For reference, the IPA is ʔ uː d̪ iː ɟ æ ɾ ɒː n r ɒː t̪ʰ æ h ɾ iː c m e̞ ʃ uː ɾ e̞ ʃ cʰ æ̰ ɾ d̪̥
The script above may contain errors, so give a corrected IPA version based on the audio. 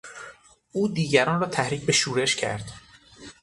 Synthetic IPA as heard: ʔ uː d̪ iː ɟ æ ɾ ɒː n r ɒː t̪ʰ æ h ɾ iː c b e̞ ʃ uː ɾ e̞ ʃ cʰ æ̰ ɾ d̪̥

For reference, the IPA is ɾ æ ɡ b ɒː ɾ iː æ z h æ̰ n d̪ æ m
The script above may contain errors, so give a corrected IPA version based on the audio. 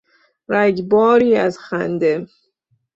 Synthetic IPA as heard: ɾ æ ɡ b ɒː ɾ iː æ z x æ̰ n d̪ e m

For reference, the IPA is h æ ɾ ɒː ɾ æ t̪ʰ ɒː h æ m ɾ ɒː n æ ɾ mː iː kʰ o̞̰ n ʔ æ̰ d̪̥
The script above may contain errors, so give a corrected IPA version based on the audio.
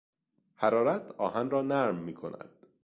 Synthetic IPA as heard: h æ ɾ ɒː ɾ æ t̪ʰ ɒː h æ n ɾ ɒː n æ ɾ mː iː kʰ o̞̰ n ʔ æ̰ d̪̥

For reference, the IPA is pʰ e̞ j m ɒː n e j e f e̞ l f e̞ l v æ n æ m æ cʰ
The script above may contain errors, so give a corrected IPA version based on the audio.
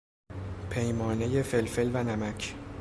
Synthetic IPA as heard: pʰ e̞ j m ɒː n e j e f e̞ l f e̞ l v æ n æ m æ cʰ

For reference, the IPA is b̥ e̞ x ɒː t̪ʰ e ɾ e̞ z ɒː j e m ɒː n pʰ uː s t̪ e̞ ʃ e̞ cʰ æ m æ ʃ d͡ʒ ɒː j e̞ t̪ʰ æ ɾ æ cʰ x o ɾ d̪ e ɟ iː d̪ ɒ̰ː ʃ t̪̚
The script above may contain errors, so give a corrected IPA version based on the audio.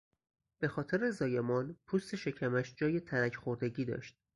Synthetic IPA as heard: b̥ e̞ x ɒː t̪ʰ e ɾ e̞ z ɒː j e m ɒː n pʰ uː s t̪ e̞ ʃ e̞ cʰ æ m æ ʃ d͡ʒ ɒː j e̞ t̪ʰ æ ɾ æ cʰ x o ɾ d̪ e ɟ iː d̪ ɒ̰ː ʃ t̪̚

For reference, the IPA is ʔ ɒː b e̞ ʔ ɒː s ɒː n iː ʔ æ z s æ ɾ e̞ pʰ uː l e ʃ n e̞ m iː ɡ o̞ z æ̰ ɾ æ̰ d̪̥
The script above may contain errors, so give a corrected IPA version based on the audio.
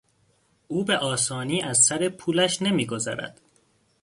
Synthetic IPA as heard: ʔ uː b e̞ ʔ ɒː s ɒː n iː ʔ æ z s æ ɾ e̞ pʰ uː l æ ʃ n e̞ m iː ɡ o̞ z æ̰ ɾ æ̰ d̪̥

